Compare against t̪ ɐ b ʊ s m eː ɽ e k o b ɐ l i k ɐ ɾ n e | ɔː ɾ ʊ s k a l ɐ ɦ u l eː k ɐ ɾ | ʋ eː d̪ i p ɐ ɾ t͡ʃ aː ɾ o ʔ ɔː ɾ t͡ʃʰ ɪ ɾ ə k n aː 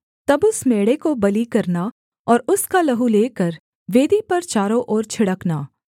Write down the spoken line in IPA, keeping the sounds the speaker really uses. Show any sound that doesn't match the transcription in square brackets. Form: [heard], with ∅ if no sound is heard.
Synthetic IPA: t̪ ɐ b ʊ s m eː ɽ e k o b ɐ l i k ɐ ɾ n [a] | ɔː ɾ ʊ s k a l ɐ ɦ u l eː k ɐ ɾ | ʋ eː d̪ i p ɐ ɾ t͡ʃ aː ɾ o ʔ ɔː ɾ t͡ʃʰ ɪ [ɽ] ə k n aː